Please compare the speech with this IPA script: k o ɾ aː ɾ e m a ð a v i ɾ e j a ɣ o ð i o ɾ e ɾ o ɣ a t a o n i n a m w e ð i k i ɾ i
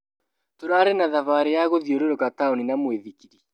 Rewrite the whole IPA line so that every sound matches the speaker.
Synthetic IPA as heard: t o ɾ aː ɾ e n a ð a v a ɾ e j a ɣ o ð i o ɾ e ɾ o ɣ a t a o n i n a m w e ð i k i ɾ i